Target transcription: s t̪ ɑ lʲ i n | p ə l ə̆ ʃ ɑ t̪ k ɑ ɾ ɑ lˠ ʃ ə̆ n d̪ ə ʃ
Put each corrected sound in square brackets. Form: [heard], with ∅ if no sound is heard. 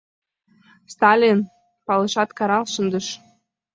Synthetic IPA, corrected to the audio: s t̪ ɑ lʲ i n | p [ɑ] l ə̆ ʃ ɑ t̪ k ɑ ɾ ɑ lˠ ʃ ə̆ n d̪ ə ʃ